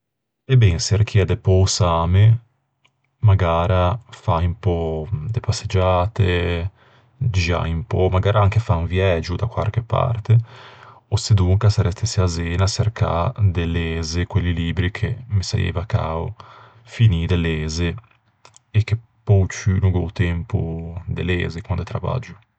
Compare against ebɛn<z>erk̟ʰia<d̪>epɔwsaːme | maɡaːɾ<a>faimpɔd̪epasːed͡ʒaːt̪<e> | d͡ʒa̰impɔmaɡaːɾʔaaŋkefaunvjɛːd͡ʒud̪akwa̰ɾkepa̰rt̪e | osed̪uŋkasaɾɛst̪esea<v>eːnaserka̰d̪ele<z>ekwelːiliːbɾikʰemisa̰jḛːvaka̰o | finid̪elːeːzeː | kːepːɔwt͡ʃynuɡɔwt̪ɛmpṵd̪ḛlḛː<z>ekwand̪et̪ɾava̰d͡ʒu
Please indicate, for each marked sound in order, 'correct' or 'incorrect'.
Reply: incorrect, correct, correct, correct, incorrect, correct, correct

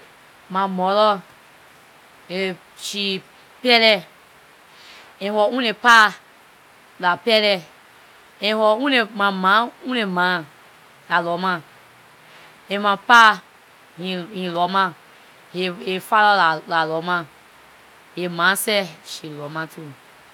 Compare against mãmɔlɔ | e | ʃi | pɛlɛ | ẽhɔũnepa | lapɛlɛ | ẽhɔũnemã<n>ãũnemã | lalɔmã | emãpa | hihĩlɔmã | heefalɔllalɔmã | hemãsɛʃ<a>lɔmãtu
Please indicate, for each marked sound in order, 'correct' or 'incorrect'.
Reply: incorrect, incorrect

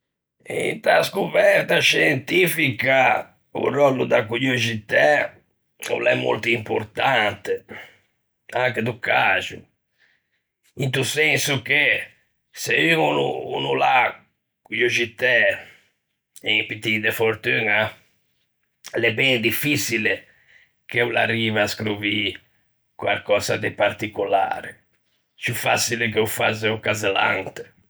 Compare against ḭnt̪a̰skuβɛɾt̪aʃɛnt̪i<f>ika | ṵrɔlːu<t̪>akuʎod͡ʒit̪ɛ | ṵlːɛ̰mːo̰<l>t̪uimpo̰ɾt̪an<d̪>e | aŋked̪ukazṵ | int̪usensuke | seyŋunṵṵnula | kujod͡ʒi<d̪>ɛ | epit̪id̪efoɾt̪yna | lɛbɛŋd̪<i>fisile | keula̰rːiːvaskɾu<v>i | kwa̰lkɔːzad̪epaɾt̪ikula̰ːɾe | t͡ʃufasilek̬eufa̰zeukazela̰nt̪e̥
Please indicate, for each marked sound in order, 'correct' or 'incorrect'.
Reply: correct, incorrect, correct, incorrect, incorrect, correct, correct

